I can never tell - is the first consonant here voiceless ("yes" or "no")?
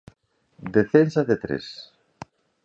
no